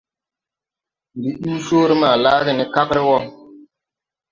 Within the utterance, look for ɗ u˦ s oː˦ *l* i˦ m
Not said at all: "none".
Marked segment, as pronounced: ɾ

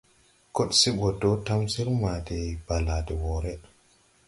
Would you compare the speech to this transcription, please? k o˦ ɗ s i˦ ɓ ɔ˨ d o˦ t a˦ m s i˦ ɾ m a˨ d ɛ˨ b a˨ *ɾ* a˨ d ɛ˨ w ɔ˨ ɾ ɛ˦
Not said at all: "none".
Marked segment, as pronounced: l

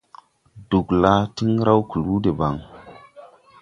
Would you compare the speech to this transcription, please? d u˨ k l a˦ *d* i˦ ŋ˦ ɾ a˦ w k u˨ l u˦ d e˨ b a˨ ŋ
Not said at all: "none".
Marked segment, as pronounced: t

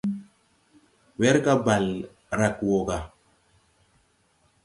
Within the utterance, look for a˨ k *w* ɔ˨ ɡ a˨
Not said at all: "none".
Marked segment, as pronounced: w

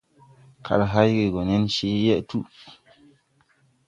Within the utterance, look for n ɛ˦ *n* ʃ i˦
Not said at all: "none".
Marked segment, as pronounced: n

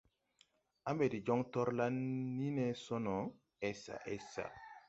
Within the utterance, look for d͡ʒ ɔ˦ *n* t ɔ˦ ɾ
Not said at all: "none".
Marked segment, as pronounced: ŋ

